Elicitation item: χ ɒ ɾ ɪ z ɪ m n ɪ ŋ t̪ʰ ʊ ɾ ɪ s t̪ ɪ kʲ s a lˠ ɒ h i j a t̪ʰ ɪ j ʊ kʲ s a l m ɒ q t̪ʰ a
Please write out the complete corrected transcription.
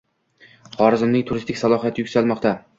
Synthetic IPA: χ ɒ ɾ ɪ z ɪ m n ɪ ŋ t̪ʰ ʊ ɾ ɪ s t̪ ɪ kʲ s a lˠ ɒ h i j a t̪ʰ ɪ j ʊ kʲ s a l m ɒ q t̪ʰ a